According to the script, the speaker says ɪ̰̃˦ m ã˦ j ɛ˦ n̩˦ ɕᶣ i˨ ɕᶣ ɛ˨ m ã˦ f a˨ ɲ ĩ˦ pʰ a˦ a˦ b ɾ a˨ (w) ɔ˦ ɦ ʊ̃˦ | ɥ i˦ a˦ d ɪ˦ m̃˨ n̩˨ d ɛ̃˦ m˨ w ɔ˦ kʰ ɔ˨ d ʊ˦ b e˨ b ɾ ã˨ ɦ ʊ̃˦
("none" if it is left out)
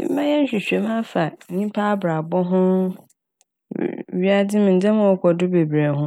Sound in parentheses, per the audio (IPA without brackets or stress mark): b